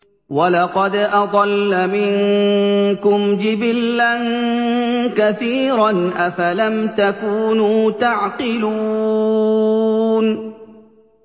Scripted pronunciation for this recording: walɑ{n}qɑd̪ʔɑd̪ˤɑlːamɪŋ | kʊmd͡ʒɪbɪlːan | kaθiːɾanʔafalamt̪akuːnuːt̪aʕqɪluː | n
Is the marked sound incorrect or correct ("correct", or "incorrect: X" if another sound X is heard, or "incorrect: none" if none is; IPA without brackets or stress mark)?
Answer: incorrect: none